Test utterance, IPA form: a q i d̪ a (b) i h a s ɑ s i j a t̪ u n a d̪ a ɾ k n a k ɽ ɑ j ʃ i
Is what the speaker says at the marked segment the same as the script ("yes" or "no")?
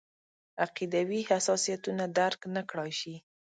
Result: no